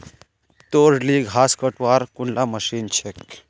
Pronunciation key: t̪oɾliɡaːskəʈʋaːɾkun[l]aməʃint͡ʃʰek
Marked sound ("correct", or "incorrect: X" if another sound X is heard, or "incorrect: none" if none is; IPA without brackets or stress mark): correct